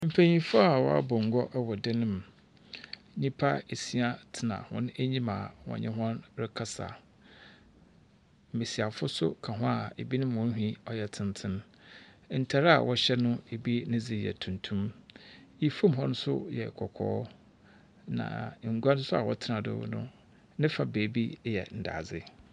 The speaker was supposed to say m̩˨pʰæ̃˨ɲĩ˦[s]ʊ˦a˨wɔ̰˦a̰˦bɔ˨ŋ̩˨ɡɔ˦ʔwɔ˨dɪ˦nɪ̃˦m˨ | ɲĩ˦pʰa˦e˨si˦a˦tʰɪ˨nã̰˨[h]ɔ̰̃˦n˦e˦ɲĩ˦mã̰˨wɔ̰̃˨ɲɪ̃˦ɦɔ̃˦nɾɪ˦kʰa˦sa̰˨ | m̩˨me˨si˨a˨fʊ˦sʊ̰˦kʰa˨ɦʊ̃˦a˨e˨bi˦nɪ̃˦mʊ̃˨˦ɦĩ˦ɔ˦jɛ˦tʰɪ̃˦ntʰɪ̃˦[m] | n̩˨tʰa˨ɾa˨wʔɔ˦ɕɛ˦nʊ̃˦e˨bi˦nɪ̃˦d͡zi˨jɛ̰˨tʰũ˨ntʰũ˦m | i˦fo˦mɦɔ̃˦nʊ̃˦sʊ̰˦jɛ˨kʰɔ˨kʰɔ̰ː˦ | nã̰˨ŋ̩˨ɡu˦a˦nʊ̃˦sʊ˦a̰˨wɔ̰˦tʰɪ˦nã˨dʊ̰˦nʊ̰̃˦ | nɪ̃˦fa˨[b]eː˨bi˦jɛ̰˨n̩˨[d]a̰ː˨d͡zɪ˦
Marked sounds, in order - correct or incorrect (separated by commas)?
incorrect, correct, incorrect, correct, correct